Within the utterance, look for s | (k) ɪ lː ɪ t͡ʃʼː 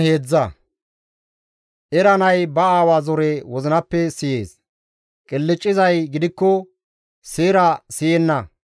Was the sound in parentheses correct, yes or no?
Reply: no